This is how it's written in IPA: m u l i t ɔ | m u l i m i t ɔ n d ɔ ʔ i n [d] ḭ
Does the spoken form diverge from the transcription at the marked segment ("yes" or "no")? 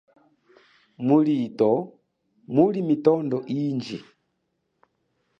yes